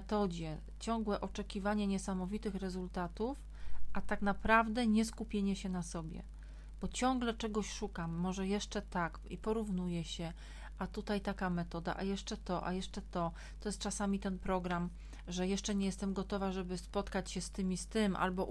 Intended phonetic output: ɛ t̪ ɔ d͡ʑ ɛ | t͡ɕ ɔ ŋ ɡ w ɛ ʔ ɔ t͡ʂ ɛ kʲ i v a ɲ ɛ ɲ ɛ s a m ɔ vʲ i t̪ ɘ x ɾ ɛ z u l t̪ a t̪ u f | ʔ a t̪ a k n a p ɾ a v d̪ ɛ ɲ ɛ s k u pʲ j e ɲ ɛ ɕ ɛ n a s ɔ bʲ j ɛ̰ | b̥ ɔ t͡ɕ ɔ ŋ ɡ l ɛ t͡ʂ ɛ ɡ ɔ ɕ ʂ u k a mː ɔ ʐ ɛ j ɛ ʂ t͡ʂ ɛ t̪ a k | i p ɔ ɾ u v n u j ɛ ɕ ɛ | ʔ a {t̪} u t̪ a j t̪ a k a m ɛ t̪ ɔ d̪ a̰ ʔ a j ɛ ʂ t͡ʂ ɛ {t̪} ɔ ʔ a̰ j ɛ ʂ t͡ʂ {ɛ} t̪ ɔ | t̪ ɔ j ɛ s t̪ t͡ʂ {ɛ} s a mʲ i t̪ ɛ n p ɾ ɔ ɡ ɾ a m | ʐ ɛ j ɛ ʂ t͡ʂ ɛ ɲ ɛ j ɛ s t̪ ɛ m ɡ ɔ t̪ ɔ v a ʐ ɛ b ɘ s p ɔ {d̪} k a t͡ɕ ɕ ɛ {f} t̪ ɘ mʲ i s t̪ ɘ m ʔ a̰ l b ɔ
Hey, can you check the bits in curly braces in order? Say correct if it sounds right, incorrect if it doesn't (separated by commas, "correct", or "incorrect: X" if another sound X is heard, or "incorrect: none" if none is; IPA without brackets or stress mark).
correct, correct, correct, incorrect: a, incorrect: t̪, incorrect: s